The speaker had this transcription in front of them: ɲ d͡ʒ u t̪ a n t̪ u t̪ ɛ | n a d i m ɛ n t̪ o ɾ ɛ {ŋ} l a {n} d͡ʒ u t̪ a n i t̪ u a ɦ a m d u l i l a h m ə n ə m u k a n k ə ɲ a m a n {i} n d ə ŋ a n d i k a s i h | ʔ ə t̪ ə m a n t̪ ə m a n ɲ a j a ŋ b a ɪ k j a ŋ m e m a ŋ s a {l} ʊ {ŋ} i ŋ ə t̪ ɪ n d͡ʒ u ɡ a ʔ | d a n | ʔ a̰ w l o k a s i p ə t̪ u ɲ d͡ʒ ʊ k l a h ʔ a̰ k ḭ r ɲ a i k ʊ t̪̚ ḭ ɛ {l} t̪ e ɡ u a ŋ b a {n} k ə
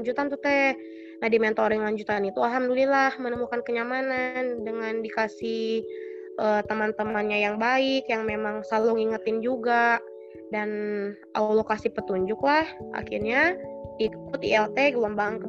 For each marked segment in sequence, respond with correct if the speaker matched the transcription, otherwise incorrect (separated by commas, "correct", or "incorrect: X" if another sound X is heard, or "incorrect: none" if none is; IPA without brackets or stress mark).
correct, incorrect: ɲ, incorrect: a, correct, correct, correct, incorrect: ŋ